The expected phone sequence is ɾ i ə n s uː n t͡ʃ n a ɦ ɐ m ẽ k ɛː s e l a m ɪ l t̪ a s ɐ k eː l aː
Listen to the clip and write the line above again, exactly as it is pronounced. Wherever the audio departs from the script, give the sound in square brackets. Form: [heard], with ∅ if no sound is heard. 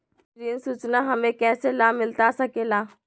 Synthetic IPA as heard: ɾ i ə n s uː [∅] t͡ʃ n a ɦ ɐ m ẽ k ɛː s e l a m ɪ l t̪ a s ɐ k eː l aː